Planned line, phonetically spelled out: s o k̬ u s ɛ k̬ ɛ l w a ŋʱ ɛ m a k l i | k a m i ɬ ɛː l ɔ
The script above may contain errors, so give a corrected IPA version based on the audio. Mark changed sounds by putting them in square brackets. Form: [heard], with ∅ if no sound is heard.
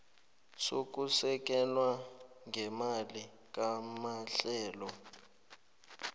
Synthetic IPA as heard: s o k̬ u s ɛ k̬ ɛ l w a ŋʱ ɛ m a [∅] l i | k a m [a] ɬ ɛː l ɔ